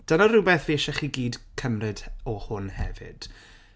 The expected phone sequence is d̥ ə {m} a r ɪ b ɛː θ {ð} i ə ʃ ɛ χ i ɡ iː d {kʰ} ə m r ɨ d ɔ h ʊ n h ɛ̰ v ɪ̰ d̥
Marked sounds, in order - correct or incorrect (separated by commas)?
incorrect, incorrect, correct